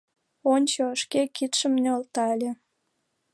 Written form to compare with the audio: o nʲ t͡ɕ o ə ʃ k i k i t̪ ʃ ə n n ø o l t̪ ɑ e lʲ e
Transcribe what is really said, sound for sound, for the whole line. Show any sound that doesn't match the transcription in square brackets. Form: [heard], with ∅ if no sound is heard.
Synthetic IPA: o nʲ t͡ɕ o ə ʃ k [e] k i t̪ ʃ ə [m] n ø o l t̪ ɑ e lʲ e